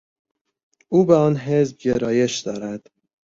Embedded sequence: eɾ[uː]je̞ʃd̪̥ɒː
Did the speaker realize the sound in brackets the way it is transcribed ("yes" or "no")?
no